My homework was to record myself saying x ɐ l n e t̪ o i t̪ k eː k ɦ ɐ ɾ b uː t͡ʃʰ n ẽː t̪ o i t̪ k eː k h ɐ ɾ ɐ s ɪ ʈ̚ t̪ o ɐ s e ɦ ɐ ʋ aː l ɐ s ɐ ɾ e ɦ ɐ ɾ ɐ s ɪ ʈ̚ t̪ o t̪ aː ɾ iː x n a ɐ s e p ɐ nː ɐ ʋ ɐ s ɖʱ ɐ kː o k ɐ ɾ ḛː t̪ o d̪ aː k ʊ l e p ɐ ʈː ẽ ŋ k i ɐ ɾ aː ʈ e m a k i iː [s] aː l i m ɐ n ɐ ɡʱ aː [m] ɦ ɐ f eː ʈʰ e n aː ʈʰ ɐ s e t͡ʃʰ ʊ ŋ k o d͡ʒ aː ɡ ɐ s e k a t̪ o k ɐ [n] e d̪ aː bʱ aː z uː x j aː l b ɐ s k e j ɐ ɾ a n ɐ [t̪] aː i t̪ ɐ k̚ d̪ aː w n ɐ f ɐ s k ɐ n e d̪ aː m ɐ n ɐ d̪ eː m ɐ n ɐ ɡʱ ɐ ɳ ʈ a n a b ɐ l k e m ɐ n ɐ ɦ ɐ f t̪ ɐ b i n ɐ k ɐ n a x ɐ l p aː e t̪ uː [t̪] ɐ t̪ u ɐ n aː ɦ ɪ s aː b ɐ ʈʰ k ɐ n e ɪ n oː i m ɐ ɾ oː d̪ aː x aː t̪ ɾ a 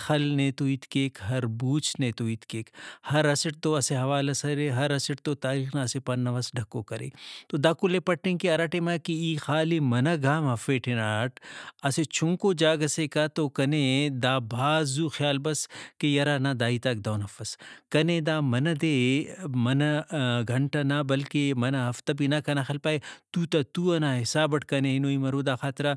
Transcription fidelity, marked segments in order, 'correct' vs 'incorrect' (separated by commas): incorrect, correct, correct, incorrect, correct